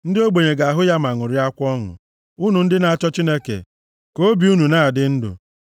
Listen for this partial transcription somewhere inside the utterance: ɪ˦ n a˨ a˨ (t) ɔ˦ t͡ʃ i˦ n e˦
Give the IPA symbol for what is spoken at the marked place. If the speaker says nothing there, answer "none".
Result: t͡ʃ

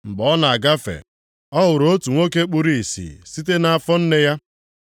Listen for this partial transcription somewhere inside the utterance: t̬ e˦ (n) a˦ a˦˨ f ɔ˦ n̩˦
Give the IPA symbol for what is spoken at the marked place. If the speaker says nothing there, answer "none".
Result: n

